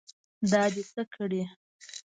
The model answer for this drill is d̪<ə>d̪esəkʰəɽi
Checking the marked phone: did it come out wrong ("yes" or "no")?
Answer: yes